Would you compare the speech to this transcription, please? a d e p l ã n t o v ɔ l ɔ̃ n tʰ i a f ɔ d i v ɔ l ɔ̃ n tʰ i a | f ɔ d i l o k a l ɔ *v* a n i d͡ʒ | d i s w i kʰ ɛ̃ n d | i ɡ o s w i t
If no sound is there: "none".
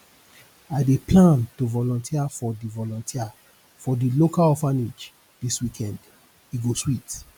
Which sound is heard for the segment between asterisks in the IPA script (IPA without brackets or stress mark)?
f